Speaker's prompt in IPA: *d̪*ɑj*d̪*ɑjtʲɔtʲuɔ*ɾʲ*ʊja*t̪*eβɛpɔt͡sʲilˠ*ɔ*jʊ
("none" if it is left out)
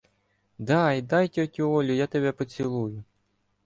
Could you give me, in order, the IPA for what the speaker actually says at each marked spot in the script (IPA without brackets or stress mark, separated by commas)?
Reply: d̪, d̪, lʲ, t̪, u